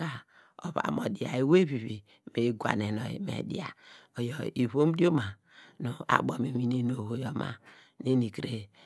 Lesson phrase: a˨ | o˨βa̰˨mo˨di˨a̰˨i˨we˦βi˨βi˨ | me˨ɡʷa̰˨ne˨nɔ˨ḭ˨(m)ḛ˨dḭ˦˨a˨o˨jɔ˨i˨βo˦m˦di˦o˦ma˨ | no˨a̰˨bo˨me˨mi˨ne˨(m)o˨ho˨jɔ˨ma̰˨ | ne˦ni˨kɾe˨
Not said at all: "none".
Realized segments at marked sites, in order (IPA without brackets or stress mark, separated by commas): m, n